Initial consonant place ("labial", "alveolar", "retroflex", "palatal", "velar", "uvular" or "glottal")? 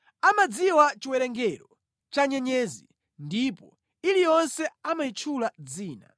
labial